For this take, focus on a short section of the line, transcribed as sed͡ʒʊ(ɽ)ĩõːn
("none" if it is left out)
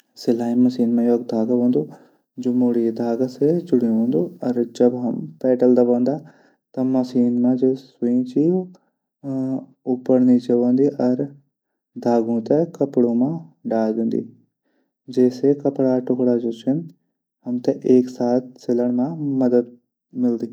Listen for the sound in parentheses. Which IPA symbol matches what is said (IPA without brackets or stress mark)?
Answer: ɽ